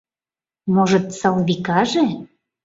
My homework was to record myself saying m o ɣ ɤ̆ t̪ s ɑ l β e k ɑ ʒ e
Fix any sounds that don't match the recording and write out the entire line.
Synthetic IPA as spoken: m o ʒ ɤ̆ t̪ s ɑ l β i k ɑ ʒ e